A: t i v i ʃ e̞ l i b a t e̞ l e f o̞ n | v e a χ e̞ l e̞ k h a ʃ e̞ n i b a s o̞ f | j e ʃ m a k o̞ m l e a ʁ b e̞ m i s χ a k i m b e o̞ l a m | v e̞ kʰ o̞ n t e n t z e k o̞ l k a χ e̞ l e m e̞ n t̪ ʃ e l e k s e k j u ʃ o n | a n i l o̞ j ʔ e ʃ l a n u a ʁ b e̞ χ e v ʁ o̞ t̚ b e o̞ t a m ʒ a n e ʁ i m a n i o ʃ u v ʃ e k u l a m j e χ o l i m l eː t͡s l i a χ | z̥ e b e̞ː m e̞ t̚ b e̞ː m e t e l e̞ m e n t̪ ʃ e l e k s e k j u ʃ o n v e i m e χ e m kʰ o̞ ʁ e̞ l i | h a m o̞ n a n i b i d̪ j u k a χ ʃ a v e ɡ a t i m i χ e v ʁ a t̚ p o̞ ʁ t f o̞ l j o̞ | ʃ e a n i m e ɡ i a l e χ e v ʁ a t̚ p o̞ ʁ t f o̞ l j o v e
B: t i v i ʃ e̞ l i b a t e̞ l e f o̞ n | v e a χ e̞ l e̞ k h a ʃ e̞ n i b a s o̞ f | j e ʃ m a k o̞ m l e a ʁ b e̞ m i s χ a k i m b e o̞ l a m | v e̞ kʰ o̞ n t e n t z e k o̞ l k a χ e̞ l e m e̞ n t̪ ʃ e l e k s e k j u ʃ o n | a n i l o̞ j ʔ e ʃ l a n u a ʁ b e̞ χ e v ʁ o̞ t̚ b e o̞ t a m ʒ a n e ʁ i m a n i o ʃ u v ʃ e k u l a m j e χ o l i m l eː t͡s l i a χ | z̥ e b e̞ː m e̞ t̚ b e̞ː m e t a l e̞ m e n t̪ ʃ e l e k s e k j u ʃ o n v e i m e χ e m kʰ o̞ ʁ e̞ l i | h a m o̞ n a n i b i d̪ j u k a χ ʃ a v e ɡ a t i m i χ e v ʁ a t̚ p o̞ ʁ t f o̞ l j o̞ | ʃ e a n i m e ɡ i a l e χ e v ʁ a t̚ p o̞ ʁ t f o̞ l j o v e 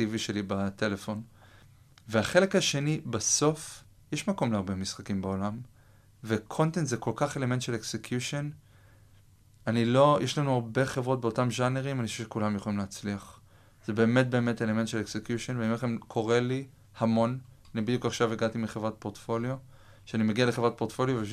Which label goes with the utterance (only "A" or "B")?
A